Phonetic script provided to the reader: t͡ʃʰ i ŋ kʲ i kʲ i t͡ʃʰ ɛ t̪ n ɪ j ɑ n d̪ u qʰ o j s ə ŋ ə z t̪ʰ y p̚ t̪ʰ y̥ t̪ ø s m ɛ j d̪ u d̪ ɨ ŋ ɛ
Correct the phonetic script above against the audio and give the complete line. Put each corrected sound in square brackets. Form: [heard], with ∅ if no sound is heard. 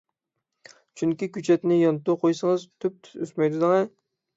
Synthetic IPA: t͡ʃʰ [y] ŋ kʲ i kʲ [y] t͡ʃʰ ɛ t̪ n ɪ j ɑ n [t̪] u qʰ o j s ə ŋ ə z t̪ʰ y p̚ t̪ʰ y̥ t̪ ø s m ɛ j d̪ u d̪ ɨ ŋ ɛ